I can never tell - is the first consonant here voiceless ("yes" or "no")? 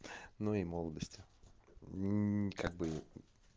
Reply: no